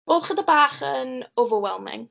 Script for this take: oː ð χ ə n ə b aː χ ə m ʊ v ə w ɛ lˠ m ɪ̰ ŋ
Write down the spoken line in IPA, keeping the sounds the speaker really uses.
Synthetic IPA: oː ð χ ə d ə b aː χ ə n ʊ v ə w ɛ lˠ m ɪ̰ ŋ